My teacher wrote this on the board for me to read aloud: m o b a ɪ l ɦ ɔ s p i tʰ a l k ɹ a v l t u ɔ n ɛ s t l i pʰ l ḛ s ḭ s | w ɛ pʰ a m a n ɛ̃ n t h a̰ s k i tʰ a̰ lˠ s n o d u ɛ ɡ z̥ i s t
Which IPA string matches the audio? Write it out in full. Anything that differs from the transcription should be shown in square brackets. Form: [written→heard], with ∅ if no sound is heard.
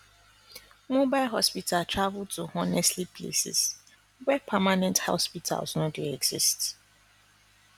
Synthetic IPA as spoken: m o b a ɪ l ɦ ɔ s p i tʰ a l [k→t] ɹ a v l t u ɔ n ɛ s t l i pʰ l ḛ s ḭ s | w ɛ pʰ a m a n ɛ̃ n t h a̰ s [k→p] i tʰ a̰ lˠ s n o d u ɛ ɡ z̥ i s t